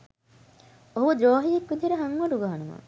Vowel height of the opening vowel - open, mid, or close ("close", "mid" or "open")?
mid